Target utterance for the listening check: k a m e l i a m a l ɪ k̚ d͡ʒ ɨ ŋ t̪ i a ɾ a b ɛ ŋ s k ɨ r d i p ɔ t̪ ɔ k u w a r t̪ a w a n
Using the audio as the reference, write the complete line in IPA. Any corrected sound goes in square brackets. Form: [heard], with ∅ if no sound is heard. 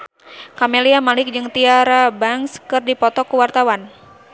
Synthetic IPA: k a m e l i a m a l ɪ k̚ d͡ʒ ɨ ŋ t̪ i a ɾ a b [a] ŋ s k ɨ r d i p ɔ t̪ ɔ k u w a r t̪ a w a n